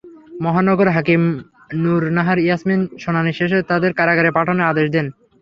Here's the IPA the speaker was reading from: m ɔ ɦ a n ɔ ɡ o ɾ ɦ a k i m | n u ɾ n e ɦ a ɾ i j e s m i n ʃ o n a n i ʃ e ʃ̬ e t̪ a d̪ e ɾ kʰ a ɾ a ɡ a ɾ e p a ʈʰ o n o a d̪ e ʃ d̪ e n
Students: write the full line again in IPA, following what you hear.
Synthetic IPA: m ɔ ɦ a n ɔ ɡ o ɾ ɦ a k i m | n u ɾ n a ɦ a ɾ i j a s m i n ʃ o n a n i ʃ e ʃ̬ e t̪ a d̪ e ɾ k a ɾ a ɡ a ɾ e p a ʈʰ o n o a d̪ e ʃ d̪ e n